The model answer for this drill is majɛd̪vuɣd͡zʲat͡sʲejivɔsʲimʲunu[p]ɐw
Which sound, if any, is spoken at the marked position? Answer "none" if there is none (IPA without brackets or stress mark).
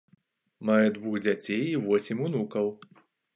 k